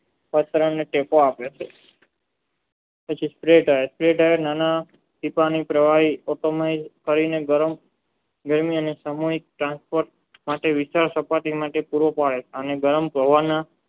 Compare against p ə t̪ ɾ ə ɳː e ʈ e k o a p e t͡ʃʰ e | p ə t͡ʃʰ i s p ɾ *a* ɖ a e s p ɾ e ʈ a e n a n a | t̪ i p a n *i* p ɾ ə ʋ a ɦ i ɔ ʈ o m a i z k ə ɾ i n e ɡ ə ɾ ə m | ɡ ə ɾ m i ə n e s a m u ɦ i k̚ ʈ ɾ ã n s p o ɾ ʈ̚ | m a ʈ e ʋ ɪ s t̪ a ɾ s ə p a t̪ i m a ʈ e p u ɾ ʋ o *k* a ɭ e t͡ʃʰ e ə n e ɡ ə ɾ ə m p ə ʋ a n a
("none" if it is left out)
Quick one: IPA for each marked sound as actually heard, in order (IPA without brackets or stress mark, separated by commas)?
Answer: e, i, p